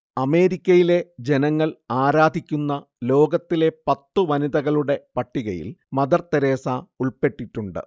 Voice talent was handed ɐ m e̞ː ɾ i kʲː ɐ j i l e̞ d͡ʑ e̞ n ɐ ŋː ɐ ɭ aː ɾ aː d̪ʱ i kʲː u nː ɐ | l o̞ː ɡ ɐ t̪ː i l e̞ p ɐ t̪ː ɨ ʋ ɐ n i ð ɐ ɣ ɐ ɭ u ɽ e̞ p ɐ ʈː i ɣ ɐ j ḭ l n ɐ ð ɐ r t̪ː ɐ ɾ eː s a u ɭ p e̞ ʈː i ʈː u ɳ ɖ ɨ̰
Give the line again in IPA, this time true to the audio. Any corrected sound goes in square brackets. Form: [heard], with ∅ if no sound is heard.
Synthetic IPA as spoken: ɐ m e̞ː ɾ i kʲː ɐ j i l e̞ d͡ʑ e̞ n ɐ ŋː ɐ ɭ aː ɾ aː d̪ʱ i kʲː u nː ɐ | l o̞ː ɡ ɐ t̪ː i l e̞ p ɐ t̪ː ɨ ʋ ɐ n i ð ɐ ɣ ɐ ɭ u ɽ e̞ p ɐ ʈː i ɣ ɐ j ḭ l [m] ɐ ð ɐ r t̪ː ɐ ɾ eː s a u ɭ p e̞ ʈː i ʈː u ɳ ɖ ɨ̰